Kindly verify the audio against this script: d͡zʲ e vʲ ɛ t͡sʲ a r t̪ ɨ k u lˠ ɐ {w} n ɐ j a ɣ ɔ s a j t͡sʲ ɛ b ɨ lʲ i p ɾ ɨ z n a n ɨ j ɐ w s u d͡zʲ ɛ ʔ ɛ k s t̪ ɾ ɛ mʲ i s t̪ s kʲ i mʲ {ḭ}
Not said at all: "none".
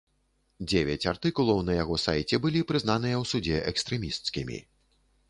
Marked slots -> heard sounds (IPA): w, ḭ

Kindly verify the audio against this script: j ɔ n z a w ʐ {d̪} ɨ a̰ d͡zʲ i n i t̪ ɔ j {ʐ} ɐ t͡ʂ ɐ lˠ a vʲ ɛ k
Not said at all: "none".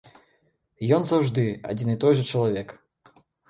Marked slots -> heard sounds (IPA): d̪, ʐ

